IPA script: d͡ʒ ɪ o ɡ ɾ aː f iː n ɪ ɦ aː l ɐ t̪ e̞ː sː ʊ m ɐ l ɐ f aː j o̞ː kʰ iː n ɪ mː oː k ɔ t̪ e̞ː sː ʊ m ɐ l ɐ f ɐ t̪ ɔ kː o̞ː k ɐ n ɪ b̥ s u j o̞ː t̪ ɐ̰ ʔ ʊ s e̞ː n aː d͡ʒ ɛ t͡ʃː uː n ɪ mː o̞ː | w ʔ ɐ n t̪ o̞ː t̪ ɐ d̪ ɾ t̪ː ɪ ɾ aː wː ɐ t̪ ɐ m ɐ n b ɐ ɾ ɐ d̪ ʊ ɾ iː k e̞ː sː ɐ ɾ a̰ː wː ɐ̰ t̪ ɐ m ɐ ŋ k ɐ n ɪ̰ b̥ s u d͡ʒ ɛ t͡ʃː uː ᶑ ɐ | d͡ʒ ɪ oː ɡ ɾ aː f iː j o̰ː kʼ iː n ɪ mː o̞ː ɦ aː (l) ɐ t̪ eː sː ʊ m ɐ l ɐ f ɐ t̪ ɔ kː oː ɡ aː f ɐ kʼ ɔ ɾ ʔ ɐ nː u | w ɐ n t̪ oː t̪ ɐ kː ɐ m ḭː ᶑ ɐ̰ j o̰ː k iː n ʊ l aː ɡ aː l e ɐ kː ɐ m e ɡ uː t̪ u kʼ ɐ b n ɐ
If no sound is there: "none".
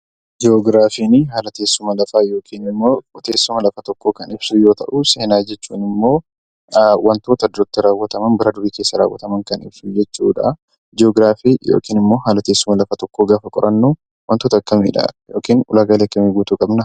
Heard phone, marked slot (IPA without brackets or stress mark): l